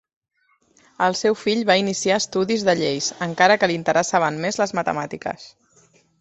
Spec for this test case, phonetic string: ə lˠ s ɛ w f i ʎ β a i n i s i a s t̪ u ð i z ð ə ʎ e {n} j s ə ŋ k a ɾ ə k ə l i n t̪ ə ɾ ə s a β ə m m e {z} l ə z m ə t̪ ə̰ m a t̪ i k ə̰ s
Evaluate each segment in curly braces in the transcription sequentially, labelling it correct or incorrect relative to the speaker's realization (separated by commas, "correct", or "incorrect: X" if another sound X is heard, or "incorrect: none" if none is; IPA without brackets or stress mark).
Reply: incorrect: none, correct